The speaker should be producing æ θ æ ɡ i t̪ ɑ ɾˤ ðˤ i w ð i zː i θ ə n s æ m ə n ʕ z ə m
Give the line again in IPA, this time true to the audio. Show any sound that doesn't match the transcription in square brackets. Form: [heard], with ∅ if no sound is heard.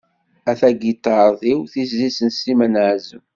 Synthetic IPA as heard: æ θ æ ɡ i t̪ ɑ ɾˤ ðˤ i w [θ] i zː i [s] ə n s [i] m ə n ʕ z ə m